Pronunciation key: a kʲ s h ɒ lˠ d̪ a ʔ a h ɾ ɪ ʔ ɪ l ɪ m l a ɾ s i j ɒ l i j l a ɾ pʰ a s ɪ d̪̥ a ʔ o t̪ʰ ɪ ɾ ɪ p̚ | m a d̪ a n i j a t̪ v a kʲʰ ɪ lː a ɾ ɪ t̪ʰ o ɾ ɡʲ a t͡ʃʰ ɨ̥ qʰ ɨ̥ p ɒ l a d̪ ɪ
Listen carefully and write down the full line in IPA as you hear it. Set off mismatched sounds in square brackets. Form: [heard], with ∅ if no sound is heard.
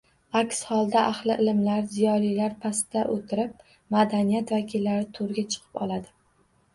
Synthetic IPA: a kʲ s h ɒ lˠ d̪ a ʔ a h [l] ɪ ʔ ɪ l ɪ m l a ɾ [z] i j ɒ l i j l a ɾ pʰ a s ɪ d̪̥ a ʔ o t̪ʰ ɪ ɾ ɪ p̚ | m a d̪ a n i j a t̪ v a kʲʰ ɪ lː a ɾ ɪ t̪ʰ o ɾ ɡʲ a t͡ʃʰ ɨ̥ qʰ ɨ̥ p ɒ l a d̪ ɪ